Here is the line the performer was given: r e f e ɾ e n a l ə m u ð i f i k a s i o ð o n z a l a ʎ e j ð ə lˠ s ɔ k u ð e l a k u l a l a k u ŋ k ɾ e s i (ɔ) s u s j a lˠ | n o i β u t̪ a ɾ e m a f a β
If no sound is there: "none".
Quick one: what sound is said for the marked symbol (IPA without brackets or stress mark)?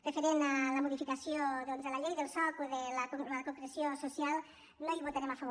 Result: o